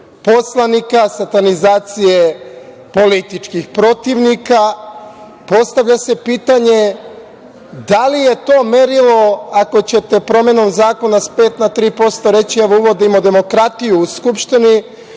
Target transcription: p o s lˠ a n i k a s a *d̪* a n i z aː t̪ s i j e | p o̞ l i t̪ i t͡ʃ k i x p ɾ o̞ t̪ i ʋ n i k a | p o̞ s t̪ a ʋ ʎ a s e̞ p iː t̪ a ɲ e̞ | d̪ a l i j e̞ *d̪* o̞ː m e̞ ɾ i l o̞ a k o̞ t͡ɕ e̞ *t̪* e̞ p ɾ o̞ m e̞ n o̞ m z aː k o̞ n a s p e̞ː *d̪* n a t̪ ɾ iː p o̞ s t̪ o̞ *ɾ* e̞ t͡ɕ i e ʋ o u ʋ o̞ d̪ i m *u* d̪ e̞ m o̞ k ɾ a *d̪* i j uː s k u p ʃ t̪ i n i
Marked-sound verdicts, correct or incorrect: incorrect: t̪, incorrect: t̪, correct, incorrect: t̪, correct, incorrect: o, incorrect: t̪

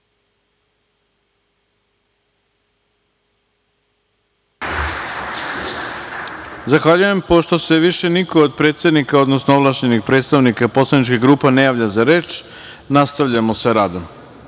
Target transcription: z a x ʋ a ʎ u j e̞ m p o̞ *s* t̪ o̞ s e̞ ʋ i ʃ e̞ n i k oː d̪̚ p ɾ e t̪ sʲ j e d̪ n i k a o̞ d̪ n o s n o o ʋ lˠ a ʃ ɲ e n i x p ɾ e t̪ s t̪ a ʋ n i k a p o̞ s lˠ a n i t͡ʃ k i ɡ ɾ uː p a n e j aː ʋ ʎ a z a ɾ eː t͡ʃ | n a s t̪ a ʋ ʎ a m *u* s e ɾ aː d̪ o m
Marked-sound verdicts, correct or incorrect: incorrect: ʃ, incorrect: o

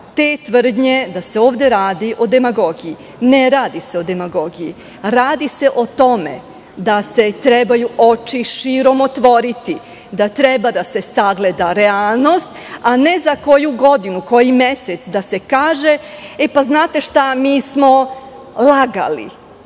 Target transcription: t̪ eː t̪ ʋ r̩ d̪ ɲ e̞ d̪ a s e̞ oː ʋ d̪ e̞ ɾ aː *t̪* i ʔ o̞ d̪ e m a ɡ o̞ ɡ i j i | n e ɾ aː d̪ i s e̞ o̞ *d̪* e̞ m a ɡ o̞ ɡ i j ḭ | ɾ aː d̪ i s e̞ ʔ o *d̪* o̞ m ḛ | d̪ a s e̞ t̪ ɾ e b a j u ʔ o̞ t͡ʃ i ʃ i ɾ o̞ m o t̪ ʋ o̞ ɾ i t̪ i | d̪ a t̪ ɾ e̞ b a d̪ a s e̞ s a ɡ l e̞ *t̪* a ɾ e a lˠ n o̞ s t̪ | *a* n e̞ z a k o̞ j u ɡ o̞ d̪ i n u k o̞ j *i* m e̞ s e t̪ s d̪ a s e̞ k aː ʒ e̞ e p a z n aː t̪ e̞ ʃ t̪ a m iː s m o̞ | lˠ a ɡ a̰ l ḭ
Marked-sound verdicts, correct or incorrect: incorrect: d̪, correct, incorrect: t̪, incorrect: d̪, correct, correct

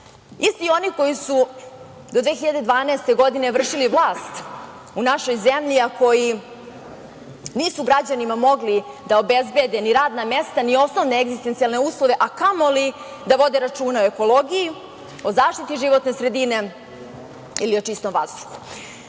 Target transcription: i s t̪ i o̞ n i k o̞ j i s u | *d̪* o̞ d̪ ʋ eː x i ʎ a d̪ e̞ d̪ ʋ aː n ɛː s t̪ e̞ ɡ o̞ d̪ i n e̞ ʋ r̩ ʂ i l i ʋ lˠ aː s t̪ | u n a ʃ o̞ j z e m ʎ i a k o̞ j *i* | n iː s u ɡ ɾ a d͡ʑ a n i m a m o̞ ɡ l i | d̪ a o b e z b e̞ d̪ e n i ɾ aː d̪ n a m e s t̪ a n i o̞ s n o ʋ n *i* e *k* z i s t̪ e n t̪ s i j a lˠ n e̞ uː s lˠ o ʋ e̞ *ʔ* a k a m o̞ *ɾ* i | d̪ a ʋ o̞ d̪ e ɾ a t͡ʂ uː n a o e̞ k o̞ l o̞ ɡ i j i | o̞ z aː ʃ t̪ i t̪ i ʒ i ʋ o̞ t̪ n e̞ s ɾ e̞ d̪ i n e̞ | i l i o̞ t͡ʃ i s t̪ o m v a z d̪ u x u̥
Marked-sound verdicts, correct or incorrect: correct, correct, incorrect: e, incorrect: ɡ, correct, incorrect: l

